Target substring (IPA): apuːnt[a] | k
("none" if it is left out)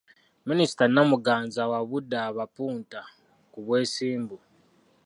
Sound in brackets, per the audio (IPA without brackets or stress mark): a